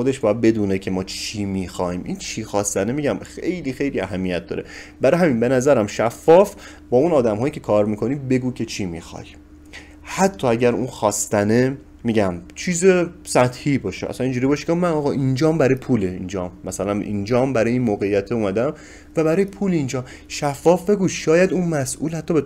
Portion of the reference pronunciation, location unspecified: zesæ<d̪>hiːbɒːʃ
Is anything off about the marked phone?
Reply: yes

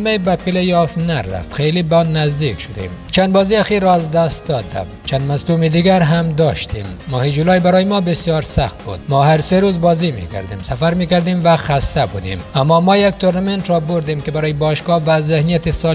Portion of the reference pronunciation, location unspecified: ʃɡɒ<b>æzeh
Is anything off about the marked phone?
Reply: yes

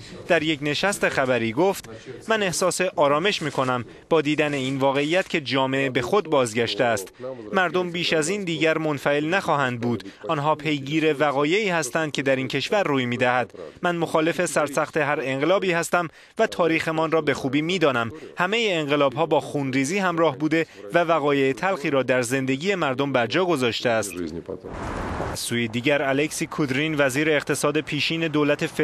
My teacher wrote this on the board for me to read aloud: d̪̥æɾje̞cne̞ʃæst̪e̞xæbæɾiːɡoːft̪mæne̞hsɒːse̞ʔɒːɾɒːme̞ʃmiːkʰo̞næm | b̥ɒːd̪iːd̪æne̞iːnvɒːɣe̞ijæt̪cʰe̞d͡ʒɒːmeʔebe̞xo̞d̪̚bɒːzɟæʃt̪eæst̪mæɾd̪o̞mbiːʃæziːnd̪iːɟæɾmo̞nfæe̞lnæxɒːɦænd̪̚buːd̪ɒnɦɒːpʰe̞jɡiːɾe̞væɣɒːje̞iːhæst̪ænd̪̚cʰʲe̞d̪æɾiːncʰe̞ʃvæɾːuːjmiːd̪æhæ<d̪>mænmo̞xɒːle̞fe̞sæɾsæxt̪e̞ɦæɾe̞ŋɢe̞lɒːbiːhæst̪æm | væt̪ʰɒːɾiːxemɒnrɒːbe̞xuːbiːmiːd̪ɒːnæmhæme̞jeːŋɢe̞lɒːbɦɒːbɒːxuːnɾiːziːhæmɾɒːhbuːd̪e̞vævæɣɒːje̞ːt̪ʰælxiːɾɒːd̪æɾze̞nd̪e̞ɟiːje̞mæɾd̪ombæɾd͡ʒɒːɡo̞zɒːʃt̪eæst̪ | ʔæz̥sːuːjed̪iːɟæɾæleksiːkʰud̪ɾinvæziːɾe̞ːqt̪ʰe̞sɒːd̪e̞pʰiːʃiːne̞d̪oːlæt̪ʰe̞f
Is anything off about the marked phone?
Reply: no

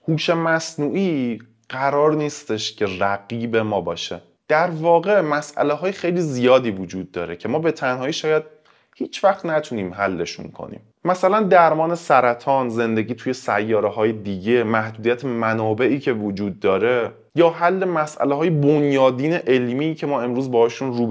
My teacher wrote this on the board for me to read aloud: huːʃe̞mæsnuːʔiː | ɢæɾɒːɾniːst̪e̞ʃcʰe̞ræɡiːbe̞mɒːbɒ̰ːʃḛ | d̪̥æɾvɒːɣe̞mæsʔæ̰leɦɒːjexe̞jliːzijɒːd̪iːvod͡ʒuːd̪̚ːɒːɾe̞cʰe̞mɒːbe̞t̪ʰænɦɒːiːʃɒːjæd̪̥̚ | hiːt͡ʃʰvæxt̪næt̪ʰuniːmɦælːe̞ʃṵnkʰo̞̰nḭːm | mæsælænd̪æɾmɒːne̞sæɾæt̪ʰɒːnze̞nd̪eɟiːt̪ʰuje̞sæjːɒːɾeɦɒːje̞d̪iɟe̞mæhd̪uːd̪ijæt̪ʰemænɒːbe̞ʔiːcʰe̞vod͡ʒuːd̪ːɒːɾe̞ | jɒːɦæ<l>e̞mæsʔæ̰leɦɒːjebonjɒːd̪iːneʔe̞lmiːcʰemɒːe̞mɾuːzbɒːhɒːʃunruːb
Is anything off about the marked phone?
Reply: yes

